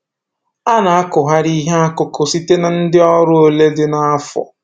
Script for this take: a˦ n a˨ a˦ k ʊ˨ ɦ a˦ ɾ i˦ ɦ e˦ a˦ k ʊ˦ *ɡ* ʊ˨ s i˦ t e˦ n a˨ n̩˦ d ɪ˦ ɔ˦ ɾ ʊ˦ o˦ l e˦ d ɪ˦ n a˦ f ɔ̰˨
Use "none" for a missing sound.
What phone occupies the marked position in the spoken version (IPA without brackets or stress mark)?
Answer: k